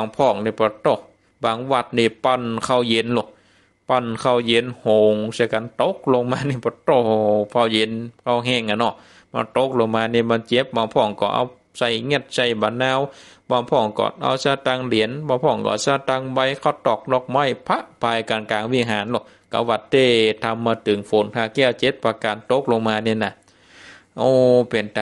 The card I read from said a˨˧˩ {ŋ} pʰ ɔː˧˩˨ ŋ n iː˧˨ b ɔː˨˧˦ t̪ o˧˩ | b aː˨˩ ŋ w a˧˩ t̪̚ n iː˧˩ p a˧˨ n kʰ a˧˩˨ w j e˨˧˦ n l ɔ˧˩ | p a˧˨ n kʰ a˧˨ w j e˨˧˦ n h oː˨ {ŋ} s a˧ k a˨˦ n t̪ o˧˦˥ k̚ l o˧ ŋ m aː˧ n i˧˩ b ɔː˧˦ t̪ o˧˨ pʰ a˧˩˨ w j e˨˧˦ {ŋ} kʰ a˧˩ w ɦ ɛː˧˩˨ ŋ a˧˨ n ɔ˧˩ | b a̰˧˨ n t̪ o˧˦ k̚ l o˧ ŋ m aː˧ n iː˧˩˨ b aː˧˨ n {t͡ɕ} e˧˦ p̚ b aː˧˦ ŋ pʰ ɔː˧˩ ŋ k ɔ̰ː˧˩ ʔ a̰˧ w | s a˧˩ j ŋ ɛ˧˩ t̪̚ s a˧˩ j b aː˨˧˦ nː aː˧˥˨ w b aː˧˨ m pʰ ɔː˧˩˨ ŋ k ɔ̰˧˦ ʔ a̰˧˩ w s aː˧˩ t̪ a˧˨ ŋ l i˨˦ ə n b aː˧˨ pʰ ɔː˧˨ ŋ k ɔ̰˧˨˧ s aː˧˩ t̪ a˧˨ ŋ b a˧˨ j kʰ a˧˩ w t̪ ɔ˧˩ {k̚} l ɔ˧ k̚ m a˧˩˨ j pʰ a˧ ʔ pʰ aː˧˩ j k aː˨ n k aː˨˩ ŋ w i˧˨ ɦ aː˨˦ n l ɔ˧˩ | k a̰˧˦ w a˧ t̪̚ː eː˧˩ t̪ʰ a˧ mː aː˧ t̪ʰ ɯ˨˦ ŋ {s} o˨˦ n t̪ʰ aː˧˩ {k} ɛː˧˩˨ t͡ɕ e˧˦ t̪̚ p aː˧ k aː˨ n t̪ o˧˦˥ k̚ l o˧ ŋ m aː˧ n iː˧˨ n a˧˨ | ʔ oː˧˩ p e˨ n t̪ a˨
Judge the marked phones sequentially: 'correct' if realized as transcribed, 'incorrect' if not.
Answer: correct, correct, incorrect: n, correct, correct, incorrect: f, correct

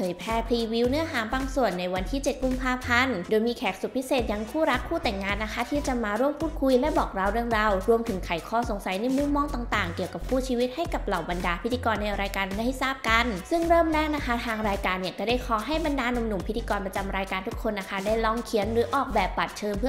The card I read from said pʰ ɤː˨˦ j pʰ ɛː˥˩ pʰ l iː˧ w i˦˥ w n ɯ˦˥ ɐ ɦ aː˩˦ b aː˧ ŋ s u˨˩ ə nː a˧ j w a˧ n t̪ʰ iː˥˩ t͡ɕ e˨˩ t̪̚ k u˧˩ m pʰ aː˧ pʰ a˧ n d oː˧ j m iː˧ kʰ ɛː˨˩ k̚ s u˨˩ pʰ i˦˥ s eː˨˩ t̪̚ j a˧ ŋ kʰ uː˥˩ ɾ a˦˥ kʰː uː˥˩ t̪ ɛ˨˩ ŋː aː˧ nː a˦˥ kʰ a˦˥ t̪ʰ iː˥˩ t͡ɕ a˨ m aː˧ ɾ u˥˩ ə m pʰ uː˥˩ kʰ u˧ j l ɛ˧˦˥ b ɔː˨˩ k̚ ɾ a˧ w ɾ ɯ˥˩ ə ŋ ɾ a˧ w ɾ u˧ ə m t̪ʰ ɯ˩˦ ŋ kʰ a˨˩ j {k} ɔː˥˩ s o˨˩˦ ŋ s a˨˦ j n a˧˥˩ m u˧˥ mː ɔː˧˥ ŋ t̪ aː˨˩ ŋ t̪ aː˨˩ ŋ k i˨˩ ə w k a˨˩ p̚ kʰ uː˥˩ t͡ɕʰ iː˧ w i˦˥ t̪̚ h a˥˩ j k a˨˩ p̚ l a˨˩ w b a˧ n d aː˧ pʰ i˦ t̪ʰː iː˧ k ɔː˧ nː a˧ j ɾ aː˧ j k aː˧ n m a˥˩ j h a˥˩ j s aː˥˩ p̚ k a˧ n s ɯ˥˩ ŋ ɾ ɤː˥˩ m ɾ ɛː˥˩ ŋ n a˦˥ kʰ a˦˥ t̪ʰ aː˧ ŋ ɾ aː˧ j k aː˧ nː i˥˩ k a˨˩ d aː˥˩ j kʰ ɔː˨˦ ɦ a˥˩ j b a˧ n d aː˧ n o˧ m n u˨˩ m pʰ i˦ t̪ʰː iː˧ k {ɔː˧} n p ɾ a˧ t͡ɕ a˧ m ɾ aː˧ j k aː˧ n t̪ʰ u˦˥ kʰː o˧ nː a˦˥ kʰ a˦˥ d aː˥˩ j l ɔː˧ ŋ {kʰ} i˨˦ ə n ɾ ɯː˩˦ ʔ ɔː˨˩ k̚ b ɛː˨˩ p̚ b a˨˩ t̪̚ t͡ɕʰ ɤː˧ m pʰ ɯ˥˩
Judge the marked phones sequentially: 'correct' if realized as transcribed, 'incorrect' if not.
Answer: incorrect: kʰ, correct, correct

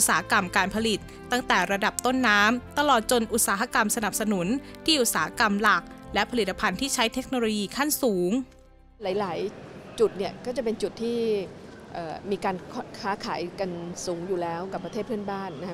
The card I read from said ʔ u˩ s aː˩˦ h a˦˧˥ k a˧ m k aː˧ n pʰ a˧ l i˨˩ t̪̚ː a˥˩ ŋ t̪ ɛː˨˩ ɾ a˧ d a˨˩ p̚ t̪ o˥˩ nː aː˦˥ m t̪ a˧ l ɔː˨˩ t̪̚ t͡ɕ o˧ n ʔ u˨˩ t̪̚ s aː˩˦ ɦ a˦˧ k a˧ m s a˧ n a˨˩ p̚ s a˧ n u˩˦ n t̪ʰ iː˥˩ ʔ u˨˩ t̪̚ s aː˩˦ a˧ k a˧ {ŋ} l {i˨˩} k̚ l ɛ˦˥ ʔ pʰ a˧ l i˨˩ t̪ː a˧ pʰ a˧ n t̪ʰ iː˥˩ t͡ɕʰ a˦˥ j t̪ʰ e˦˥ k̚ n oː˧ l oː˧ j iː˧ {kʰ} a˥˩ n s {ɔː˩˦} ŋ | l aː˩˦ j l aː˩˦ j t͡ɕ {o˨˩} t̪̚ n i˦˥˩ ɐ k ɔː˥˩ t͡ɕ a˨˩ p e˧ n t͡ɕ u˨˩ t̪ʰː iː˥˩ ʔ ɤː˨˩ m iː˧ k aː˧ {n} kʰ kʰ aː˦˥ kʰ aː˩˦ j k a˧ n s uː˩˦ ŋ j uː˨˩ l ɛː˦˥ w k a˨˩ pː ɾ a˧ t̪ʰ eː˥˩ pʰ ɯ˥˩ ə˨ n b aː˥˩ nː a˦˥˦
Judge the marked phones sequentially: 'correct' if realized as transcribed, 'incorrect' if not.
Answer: incorrect: m, incorrect: a˨˩, correct, incorrect: uː˩˦, incorrect: u˨˩, correct

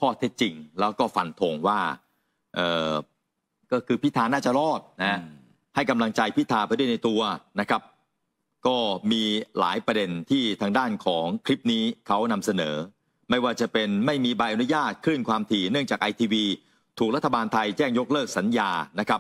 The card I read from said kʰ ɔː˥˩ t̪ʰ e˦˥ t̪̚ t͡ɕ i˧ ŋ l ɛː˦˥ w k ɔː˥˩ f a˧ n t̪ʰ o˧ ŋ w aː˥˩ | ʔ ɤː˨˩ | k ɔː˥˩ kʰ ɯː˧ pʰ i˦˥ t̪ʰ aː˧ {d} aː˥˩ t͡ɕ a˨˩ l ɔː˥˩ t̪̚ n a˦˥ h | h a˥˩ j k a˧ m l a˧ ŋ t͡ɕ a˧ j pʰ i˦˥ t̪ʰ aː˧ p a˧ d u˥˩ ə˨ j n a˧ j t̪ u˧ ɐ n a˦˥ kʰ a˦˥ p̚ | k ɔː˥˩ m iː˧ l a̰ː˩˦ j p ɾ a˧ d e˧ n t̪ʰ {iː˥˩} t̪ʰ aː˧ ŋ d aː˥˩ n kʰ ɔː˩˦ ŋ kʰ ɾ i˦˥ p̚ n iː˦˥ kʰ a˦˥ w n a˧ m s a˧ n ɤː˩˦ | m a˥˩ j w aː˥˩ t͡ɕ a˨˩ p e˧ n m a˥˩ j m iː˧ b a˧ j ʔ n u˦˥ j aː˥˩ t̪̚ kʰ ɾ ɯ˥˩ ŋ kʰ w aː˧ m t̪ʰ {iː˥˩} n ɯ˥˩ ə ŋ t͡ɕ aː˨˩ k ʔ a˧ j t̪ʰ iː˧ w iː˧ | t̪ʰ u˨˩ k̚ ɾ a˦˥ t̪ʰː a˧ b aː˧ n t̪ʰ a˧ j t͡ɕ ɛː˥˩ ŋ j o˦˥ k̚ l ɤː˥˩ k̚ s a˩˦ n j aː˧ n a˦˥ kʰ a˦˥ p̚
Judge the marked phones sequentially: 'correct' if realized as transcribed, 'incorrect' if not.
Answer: incorrect: n, correct, incorrect: iː˧˩

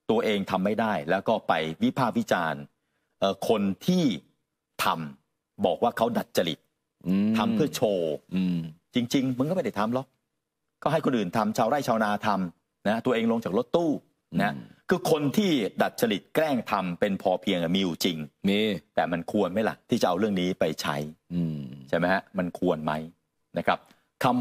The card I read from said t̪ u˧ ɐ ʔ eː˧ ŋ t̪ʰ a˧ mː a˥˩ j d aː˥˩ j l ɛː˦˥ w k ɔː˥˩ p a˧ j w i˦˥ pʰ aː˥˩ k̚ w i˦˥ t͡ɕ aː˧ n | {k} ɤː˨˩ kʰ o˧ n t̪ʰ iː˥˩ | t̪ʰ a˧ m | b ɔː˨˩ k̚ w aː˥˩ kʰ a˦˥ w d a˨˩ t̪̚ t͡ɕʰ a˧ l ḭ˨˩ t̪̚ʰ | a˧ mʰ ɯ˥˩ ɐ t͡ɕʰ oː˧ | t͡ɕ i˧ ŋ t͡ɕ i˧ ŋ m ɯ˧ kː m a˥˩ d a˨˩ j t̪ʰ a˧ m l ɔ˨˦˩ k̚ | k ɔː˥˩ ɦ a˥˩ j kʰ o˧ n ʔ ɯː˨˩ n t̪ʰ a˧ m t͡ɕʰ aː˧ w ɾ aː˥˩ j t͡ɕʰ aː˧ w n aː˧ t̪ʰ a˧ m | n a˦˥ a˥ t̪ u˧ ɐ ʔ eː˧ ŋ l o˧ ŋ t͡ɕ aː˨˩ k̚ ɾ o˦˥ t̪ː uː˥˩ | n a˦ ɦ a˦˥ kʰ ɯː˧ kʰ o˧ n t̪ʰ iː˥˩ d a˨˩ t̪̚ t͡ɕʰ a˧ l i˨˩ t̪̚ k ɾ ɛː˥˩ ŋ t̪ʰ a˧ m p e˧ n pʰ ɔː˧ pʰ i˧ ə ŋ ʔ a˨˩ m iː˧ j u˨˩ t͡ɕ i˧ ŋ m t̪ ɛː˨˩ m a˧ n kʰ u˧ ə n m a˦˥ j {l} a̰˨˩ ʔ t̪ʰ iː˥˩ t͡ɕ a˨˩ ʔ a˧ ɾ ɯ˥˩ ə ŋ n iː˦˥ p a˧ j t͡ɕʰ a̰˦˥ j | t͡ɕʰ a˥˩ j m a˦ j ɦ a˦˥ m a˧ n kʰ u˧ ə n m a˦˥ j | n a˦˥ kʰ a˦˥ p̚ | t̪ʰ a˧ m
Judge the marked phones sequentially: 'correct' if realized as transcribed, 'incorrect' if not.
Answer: incorrect: ʔ, correct

